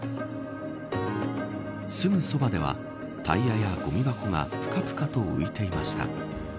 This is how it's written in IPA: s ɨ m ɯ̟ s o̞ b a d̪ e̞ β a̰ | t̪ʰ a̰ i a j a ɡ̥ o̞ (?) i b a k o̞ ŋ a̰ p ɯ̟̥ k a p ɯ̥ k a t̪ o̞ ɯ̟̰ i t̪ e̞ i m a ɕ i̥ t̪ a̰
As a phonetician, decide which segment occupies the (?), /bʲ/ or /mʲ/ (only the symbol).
mʲ